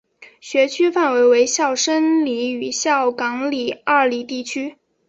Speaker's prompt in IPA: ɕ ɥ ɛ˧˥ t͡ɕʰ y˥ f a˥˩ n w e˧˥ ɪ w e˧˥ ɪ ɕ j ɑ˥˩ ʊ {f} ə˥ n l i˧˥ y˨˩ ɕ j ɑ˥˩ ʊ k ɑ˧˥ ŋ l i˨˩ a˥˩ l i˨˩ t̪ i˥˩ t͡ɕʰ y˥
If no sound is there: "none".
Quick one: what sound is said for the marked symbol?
ʂ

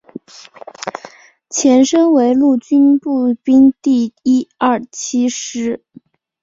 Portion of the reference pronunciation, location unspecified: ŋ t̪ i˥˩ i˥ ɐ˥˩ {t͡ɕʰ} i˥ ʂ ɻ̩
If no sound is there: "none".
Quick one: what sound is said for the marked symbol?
t͡ɕʰ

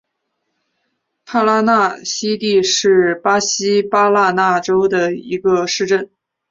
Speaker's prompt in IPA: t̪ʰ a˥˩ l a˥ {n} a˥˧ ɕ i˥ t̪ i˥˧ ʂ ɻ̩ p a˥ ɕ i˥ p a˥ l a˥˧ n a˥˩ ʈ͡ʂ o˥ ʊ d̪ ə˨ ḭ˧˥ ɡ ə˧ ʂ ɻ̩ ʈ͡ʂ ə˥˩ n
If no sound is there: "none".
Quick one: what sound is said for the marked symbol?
n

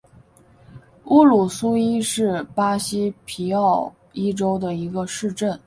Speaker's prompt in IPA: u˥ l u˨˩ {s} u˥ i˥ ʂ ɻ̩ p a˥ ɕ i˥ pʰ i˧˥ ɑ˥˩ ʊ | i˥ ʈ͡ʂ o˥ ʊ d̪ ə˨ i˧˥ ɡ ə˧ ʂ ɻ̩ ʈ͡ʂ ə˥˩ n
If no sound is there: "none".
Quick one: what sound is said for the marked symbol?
s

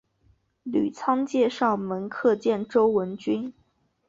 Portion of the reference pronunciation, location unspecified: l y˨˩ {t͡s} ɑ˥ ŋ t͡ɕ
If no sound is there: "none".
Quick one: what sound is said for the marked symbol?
t͡sʰ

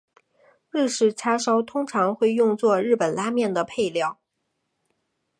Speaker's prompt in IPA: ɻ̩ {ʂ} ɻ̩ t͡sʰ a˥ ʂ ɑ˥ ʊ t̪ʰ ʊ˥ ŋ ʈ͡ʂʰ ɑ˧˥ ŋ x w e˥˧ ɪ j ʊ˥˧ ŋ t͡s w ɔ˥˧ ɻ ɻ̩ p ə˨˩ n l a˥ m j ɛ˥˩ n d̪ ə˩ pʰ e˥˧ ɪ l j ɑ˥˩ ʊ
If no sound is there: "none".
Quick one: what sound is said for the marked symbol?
ʂ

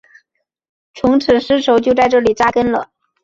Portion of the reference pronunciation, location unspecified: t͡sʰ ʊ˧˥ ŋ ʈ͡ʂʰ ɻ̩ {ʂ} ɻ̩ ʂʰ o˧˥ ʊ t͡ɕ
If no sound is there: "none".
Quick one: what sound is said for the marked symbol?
ʂ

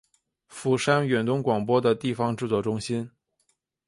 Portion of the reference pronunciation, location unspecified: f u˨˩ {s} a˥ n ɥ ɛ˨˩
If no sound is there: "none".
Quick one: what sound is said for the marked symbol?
ʂ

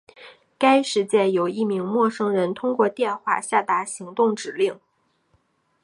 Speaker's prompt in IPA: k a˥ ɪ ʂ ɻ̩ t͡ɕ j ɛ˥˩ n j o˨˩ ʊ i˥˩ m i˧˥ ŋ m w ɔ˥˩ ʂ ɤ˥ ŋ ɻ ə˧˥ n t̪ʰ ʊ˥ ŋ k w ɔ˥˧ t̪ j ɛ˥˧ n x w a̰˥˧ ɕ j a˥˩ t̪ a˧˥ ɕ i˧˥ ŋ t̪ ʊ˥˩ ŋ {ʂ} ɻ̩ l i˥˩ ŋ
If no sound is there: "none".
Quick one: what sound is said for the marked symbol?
ʈ͡ʂ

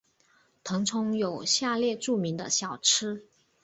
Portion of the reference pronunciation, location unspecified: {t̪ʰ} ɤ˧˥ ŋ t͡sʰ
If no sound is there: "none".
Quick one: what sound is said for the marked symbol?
t̪ʰ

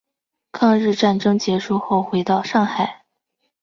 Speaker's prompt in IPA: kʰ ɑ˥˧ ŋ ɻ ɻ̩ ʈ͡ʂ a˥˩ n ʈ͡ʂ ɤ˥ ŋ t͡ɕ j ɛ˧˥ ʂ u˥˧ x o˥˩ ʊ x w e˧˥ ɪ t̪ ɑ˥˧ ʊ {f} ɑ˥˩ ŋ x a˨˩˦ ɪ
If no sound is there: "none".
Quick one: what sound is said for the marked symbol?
ʂ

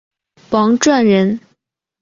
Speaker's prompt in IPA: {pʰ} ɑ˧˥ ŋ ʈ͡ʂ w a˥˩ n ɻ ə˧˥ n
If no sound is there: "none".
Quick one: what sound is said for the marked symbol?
p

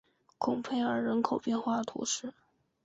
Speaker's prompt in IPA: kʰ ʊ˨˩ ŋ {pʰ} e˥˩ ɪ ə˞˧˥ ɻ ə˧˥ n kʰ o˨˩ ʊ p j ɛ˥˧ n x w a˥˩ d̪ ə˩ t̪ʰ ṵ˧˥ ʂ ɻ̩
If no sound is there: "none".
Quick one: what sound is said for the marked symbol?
pʰ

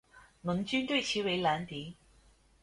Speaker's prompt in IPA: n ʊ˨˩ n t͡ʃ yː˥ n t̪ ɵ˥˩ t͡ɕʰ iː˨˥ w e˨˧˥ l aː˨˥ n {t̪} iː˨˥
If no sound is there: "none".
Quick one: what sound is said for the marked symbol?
t̪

